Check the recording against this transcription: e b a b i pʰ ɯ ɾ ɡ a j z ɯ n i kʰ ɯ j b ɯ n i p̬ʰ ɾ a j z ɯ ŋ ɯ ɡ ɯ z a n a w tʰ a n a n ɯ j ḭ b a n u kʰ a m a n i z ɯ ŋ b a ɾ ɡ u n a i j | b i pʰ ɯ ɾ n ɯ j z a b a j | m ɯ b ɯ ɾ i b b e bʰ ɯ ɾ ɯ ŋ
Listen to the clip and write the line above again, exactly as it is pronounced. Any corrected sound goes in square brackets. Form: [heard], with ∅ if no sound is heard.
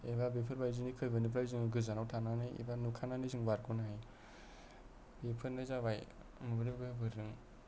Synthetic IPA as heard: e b a b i pʰ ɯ ɾ [b] a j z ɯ n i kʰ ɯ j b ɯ n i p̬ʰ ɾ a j z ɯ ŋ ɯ ɡ ɯ z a n a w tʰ a n a n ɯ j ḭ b a n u kʰ a [n] a n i z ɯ ŋ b a ɾ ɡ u n a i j | b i pʰ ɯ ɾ n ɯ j z a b a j | m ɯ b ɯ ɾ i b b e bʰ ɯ ɾ ɯ ŋ

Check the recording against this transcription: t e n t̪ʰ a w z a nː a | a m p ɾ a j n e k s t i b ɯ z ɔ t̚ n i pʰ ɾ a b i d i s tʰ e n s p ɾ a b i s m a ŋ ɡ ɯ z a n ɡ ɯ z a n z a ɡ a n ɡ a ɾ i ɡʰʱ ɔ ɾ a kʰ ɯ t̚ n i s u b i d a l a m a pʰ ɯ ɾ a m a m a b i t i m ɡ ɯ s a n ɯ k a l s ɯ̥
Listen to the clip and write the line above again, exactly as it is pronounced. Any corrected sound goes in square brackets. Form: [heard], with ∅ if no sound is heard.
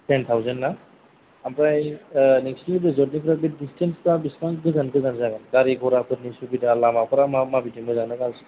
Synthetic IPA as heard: t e n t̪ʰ a w z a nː a | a m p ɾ a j n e k s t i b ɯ z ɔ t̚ n i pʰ ɾ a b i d i s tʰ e n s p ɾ a b i s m a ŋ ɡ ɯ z a n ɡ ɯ z a n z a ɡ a n ɡ a ɾ i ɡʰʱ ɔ ɾ a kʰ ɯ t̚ n i s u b i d a l a m a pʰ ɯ ɾ a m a m a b i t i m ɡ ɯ [z] a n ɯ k a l s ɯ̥

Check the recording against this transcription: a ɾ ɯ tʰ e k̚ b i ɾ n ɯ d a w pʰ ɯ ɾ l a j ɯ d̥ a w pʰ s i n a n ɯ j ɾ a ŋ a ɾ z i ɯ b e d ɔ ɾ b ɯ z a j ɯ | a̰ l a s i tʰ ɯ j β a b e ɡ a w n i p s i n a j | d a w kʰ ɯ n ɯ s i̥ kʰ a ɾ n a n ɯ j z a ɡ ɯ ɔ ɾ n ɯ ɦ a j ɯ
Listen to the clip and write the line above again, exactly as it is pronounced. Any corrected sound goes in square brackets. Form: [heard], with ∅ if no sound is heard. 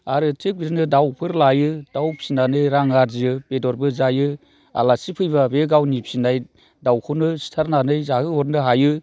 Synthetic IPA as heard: a ɾ ɯ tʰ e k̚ b i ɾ n ɯ d a w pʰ ɯ ɾ l a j ɯ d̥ a w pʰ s i n a n ɯ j ɾ a ŋ a ɾ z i ɯ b e d ɔ ɾ b ɯ z a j ɯ | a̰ l a s i [pʰ] ɯ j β a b e ɡ a w n i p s i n a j | d a w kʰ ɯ n ɯ s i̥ [tʰ] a ɾ n a n ɯ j z a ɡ ɯ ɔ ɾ n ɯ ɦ a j ɯ

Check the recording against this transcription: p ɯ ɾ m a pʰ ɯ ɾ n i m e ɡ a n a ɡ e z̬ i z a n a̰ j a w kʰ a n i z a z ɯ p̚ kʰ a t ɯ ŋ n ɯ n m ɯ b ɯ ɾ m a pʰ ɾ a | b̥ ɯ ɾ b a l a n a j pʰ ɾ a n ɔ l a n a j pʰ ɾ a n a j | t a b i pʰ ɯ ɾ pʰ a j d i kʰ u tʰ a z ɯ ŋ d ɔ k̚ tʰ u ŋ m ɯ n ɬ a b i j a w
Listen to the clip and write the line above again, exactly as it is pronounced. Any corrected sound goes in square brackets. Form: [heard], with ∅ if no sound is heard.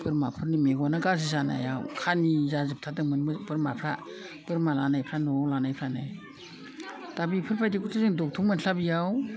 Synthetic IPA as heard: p ɯ ɾ m a pʰ ɯ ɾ n i m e ɡ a n a ɡ [a] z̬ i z a n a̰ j a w kʰ a n i z a z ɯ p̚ [tʰ] a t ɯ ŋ [m] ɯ n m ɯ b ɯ ɾ m a pʰ ɾ a | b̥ ɯ ɾ [m] a l a n a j pʰ ɾ a n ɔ l a n a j pʰ ɾ a n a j | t a b i pʰ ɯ ɾ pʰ a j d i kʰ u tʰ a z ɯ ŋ d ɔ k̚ tʰ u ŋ m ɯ n ɬ a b i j a w

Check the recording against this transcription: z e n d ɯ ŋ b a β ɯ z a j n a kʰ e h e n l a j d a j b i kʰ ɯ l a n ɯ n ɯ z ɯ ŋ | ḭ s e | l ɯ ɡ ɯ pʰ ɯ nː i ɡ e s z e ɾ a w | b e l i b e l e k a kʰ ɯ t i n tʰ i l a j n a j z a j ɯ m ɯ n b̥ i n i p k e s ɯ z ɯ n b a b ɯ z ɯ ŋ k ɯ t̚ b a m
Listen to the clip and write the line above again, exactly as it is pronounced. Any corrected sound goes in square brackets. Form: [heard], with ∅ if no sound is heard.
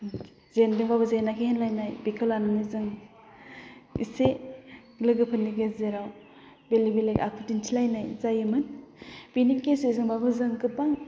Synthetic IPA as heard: z e n d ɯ ŋ b a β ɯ z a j n a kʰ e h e n l a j [n] a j b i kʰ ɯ l a n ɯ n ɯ z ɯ ŋ | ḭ s e | l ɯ ɡ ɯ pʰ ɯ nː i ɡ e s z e ɾ a w | b e l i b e l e k a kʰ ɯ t i n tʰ i l a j n a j z a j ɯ m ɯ n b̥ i n i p k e s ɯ z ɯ [ŋ] b a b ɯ z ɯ ŋ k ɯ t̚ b a [ŋ]

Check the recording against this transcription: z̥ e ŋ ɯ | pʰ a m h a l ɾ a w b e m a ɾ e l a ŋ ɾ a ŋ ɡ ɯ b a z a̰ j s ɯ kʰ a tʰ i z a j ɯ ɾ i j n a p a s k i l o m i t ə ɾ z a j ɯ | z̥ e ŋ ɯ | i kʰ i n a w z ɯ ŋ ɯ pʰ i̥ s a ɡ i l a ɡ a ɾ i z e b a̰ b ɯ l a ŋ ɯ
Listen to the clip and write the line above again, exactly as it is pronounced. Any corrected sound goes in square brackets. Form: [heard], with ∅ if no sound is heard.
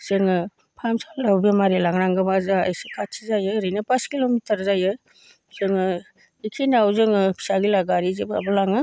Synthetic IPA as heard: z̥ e ŋ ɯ | pʰ a m [s] a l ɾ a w b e m a ɾ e l a ŋ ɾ a ŋ ɡ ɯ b a z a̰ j s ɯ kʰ a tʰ i z a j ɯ ɾ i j n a p a s k i l o m i t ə ɾ z a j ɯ | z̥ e ŋ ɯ | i kʰ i n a w z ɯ ŋ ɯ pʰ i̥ s a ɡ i l a ɡ a ɾ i z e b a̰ b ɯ l a ŋ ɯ

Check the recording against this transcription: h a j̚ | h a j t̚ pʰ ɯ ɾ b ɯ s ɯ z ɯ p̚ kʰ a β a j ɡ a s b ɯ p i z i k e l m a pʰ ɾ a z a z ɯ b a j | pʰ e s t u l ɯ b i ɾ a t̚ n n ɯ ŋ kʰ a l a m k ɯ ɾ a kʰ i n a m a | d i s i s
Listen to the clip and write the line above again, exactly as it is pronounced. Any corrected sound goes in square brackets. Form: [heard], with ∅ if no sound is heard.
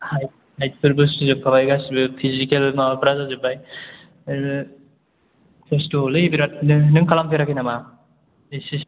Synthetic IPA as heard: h a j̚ | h a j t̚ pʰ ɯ ɾ b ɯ s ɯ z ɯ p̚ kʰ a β a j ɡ a s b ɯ [pʰ] i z i k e l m a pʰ ɾ a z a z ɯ b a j | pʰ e s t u l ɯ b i ɾ a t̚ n n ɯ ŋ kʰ a l a m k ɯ ɾ a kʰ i n a m a | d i s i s

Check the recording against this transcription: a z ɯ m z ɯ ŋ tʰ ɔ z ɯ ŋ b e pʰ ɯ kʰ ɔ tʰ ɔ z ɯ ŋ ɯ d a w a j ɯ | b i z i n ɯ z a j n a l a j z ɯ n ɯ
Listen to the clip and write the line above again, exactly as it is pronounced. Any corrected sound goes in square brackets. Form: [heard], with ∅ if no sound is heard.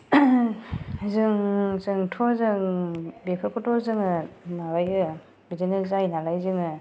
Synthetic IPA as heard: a z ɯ [ŋ] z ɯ ŋ tʰ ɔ z ɯ ŋ b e pʰ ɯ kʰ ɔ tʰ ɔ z ɯ ŋ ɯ [n] a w a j ɯ | b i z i n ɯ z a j n a l a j z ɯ [ŋ] ɯ

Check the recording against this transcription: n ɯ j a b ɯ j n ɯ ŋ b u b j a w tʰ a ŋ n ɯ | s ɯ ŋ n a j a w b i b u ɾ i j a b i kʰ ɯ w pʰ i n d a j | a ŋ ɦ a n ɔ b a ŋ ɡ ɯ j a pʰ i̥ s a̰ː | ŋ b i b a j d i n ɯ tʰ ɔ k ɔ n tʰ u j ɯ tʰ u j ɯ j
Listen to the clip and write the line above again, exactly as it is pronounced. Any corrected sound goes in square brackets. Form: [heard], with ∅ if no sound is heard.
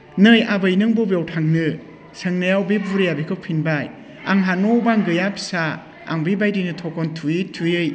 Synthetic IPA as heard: n ɯ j a b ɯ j n ɯ ŋ b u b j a w tʰ a ŋ n ɯ | s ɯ ŋ n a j a w b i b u ɾ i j a b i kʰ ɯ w pʰ i n [b] a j | a ŋ ɦ a n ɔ b a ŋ ɡ ɯ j a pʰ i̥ s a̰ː | ŋ b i b a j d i n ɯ tʰ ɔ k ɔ n tʰ u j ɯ tʰ u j ɯ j

